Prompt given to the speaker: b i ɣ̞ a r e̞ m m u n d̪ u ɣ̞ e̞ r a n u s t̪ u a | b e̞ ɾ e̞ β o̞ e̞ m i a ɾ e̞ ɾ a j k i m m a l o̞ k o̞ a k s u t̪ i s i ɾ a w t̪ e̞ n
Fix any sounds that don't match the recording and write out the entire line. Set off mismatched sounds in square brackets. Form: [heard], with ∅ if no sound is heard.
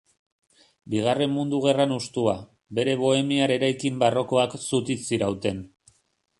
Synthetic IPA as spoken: b i ɣ̞ a r e̞ m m u n d̪ u ɣ̞ e̞ r a n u s t̪ u a | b e̞ ɾ e̞ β o̞ e̞ m i a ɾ e̞ ɾ a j k i m [b] a [r] o̞ k o̞ a k s u t̪ i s i ɾ a w t̪ e̞ n

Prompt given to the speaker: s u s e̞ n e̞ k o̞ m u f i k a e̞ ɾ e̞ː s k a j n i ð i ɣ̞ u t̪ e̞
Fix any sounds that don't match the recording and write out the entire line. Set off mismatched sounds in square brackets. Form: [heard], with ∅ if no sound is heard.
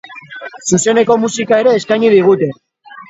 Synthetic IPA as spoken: s u s e̞ n e̞ k o̞ m u [s] i k a e̞ ɾ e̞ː s k a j [ɲ] i ð i ɣ̞ u t̪ e̞

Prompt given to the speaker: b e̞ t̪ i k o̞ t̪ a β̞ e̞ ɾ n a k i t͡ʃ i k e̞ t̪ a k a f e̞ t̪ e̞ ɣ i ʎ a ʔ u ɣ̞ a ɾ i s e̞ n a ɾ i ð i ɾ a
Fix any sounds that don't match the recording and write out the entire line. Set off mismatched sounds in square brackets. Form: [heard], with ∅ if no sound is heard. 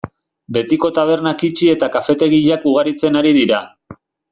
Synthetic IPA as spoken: b e̞ t̪ i k o̞ t̪ a β̞ e̞ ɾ n a k i t͡ʃ i [∅] e̞ t̪ a k a f e̞ t̪ e̞ ɣ i ʎ a [k] u ɣ̞ a ɾ i [t͡s] e̞ n a ɾ i ð i ɾ a

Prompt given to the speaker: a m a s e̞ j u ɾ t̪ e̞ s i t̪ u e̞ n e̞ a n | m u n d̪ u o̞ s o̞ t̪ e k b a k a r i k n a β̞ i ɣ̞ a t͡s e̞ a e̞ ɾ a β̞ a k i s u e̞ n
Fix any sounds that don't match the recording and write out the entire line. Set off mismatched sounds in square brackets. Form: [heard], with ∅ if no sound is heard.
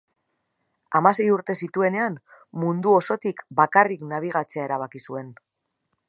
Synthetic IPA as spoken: a m a s e̞ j u ɾ t̪ e̞ s i t̪ u e̞ n e̞ a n | m u n d̪ u o̞ s o̞ t̪ [i] k b a k a r i k n a β̞ i ɣ̞ a t͡s e̞ a e̞ ɾ a β̞ a k i s u e̞ n

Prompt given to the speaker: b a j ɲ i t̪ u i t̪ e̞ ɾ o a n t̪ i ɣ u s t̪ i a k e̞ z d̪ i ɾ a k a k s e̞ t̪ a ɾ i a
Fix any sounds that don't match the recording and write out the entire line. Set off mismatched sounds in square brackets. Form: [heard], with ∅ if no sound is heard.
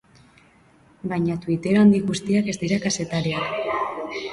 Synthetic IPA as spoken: b a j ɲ [a] t̪ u i t̪ e̞ ɾ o a n [d̪] i ɣ u s t̪ i a k e̞ z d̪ i ɾ a k a [∅] s e̞ t̪ a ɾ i a

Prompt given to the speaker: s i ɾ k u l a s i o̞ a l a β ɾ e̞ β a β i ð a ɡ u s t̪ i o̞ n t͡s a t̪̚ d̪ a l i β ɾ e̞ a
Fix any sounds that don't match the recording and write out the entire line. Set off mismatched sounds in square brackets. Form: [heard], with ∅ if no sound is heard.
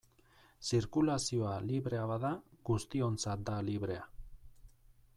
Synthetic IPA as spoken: s i ɾ k u l a s i o̞ a l [i] β ɾ e̞ [∅] a β [a] ð a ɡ u s t̪ i o̞ n t͡s a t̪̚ d̪ a l i β ɾ e̞ a

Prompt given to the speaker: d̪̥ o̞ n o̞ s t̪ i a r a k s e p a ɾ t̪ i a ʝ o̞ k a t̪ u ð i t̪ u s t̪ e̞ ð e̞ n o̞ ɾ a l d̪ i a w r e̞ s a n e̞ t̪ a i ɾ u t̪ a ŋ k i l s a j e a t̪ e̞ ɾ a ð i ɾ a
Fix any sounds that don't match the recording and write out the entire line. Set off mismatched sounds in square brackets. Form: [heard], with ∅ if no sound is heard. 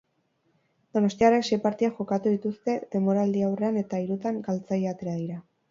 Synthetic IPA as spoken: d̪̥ o̞ n o̞ s t̪ i a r [e] k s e p a ɾ t̪ i a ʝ o̞ k a t̪ u ð i t̪ u s t̪ e̞ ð e̞ [m] o̞ ɾ a l d̪ i a w r e̞ [∅] a n e̞ t̪ a i ɾ u t̪ a ŋ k [a] l [t͡s] a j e a t̪ e̞ ɾ a ð i ɾ a

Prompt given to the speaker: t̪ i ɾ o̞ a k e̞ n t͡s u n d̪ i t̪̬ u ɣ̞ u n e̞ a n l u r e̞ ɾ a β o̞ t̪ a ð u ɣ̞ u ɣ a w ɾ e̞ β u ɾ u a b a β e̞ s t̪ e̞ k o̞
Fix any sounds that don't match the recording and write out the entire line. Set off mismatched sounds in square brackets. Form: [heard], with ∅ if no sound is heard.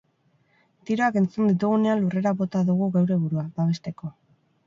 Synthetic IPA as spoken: t̪ i ɾ o̞ a k e̞ n t͡s u n d̪ i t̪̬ u ɣ̞ u n e̞ a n l u r e̞ ɾ a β o̞ t̪ a ð u ɣ̞ u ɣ a w ɾ e̞ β u ɾ u a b a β e̞ s t̪ e̞ k o̞

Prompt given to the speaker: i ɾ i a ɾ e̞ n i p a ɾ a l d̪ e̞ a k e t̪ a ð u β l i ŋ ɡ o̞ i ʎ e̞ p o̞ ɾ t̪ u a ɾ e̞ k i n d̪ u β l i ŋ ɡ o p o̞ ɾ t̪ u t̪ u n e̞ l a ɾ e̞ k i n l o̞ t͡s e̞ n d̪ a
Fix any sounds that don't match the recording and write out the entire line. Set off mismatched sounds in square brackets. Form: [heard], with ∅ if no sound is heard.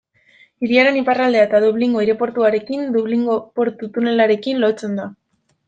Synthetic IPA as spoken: i ɾ i a ɾ e̞ n i p a [r] a l d̪ e̞ a [∅] e t̪ a ð u β l i ŋ ɡ o̞ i [ɾ] e̞ p o̞ ɾ t̪ u a ɾ e̞ k i n d̪ u β l i ŋ ɡ o p o̞ ɾ t̪ u t̪ u n e̞ l a ɾ e̞ k i n l o̞ t͡s e̞ n d̪ a

